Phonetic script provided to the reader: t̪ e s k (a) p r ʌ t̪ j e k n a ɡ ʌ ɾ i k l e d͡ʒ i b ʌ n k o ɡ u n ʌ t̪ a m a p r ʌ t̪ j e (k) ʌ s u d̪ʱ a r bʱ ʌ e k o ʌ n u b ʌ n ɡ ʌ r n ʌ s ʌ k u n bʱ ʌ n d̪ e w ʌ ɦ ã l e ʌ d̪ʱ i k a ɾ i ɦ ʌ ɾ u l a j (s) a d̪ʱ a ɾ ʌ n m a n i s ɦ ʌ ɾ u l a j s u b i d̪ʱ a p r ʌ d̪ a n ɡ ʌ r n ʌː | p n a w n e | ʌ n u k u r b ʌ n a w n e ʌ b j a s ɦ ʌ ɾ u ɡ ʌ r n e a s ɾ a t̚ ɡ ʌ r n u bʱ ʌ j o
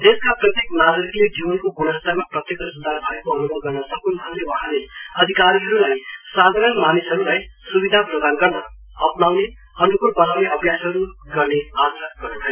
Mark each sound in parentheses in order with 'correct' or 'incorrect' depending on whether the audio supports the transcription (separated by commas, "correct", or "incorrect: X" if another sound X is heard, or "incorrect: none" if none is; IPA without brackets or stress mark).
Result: correct, correct, correct